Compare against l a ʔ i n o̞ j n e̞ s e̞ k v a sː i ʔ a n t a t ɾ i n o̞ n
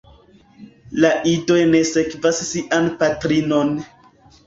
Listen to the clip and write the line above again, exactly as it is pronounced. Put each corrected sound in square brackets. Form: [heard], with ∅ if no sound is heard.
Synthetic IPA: l a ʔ i [d] o̞ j n e̞ s e̞ k v a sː i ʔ a n [p] a t ɾ i n o̞ n